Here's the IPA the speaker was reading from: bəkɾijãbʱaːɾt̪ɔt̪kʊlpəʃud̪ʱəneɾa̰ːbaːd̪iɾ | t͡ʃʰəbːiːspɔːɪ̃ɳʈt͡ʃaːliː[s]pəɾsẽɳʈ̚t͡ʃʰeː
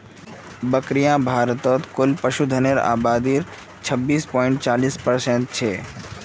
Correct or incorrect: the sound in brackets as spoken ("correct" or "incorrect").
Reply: correct